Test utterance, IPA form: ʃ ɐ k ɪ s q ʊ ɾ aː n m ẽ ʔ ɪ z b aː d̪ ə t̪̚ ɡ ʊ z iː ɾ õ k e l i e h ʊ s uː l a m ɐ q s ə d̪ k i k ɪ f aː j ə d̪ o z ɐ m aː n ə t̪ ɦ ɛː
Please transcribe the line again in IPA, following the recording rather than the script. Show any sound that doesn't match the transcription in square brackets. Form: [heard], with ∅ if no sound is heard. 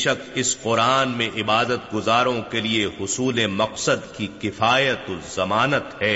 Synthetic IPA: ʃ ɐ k ɪ s q ʊ ɾ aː n m ẽ ʔ ɪ [∅] b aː d̪ ə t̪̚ ɡ ʊ z [aː] ɾ õ k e l i e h ʊ s uː l [e] m ɐ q s ə d̪ k i k ɪ f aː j ə [t̪] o z ɐ m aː n ə t̪ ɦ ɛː